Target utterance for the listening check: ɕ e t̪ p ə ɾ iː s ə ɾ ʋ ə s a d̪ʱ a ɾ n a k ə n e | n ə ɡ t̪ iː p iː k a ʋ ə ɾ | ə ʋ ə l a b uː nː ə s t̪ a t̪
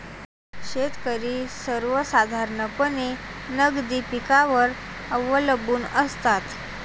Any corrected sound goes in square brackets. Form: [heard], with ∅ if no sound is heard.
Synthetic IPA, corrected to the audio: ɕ e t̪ [k] ə ɾ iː s ə ɾ ʋ ə s a d̪ʱ a ɾ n [ə] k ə n e | n ə ɡ [d̪] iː p [i] k a ʋ ə ɾ | ə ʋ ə l [ə] b uː [n] ə s t̪ a t̪

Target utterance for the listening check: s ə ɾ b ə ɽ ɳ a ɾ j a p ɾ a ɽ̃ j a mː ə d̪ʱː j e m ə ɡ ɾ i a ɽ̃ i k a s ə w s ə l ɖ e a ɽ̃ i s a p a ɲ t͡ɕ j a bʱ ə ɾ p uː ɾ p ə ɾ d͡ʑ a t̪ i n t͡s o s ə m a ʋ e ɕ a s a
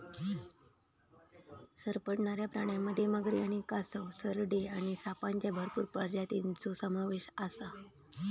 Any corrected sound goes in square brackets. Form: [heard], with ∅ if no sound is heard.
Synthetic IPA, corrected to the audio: s ə ɾ [p] ə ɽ ɳ a ɾ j a p ɾ a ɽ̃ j a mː ə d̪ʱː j e m ə ɡ ɾ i a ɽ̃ i k a s ə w s ə [ɾ] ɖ e a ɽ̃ i s a p a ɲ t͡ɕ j a bʱ ə ɾ p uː ɾ p ə ɾ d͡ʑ a t̪ i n t͡s o s ə m a ʋ e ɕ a s a

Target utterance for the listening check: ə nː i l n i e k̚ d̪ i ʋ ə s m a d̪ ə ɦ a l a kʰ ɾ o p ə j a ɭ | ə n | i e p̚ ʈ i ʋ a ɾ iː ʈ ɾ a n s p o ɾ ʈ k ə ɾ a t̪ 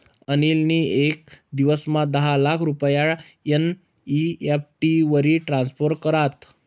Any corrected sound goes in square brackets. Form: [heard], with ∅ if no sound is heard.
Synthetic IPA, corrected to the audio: ə [n] i l n i e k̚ d̪ i ʋ ə s m a d̪ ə ɦ a l a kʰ ɾ [u] p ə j a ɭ | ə n | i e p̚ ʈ i ʋ [ə] ɾ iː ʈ ɾ a n s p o ɾ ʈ k ə ɾ a t̪

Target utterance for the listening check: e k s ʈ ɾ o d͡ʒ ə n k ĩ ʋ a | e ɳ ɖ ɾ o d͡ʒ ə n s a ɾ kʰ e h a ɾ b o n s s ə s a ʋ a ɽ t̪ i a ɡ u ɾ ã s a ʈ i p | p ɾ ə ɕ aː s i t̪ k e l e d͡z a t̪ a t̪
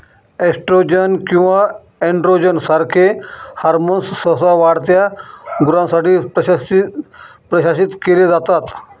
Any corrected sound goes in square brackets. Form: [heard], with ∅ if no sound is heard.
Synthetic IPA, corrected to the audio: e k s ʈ ɾ o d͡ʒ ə n k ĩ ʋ a | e ɳ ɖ ɾ o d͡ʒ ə n s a ɾ kʰ e h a ɾ [m] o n s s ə s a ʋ a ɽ t̪ [j] a ɡ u ɾ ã s a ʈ i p | p ɾ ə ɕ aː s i t̪ k e l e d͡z a t̪ a t̪

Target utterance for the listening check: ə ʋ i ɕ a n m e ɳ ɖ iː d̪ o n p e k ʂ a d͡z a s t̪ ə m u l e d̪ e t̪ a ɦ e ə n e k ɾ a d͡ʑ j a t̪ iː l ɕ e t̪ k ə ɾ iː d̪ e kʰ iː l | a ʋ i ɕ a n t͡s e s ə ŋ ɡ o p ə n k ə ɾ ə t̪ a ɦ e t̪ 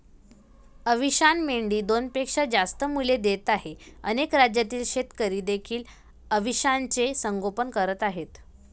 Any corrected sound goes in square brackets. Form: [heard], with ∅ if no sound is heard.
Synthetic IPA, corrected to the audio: ə ʋ i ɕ a n m e ɳ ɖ iː d̪ o n p e k ʂ a d͡z a s t̪ ə m u l e d̪ e t̪ a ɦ e ə n e k ɾ a d͡ʑ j a t̪ iː l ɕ e t̪ k ə ɾ iː d̪ e kʰ iː l | [ə] ʋ i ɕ a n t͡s e s ə ŋ ɡ o p ə n k ə ɾ ə t̪ a ɦ e t̪

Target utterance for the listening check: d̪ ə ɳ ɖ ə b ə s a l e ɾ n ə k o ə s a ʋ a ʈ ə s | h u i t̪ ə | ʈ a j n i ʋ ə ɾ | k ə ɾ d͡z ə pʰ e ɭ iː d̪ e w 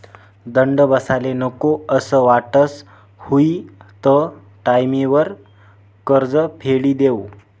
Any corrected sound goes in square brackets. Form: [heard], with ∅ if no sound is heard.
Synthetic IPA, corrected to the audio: d̪ ə ɳ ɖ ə b ə s a l e [∅] n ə k o ə s [ə] ʋ a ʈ ə s | h u i t̪ ə | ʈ a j [m] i ʋ ə ɾ | k ə ɾ d͡z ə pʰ e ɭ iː d̪ e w

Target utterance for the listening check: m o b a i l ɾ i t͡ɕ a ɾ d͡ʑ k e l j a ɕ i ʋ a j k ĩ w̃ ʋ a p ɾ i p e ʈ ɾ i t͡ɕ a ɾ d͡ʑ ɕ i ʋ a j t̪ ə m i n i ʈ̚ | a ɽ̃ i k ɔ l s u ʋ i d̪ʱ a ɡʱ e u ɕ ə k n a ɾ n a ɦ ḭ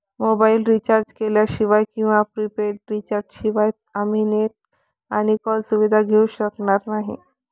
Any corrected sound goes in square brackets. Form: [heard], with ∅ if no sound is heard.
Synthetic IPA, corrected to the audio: m o b a i l ɾ i t͡ɕ a ɾ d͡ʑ k e l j a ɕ i ʋ a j k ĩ w̃ ʋ a p ɾ i p e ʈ ɾ i t͡ɕ a ɾ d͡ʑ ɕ i ʋ a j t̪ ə m i n [e] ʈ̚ | a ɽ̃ i k ɔ l s u ʋ i d̪ʱ a ɡʱ e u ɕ ə k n a ɾ n a ɦ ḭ

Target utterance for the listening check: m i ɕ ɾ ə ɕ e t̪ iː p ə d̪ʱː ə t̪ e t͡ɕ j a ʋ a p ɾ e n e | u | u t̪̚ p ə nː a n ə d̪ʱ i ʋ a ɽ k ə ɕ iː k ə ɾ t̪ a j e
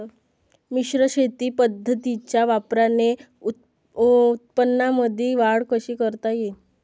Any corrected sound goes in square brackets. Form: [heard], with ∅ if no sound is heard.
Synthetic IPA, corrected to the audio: m i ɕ ɾ ə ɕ e t̪ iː p ə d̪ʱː ə t̪ [i] t͡ɕ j a ʋ a p ɾ [a] n e | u | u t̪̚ p ə nː a [m] ə d̪ʱ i ʋ a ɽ k ə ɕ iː k ə ɾ t̪ a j e

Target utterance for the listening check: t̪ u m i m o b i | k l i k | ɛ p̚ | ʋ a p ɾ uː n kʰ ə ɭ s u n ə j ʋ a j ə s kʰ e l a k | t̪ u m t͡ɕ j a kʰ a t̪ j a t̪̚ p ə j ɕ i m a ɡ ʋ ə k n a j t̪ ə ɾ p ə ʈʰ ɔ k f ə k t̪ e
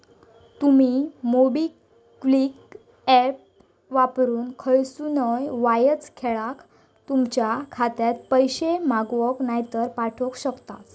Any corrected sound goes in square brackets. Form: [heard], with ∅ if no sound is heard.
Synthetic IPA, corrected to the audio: t̪ u m i m o b i | k l i k | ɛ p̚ | ʋ a p ɾ uː n kʰ ə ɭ s u n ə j ʋ a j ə [t͡s] kʰ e [ɭ] a k | t̪ u m t͡ɕ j a kʰ a t̪ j a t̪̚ p ə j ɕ [e] m a ɡ ʋ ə k n a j t̪ ə ɾ p [a] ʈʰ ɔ k [ɕ] ə k t̪ [a]

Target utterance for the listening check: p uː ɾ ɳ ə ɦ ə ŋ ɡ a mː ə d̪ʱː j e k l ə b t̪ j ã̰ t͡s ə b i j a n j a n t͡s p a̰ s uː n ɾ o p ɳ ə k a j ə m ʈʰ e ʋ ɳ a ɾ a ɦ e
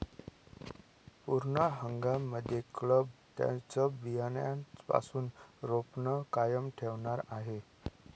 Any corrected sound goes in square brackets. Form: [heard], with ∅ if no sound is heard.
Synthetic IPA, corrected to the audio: p [u] ɾ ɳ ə ɦ ə ŋ ɡ a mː ə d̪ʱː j e k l ə b t̪ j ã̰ t͡s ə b i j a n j a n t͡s p a̰ s uː n ɾ o p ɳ ə k a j ə m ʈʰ e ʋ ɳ a ɾ a ɦ e

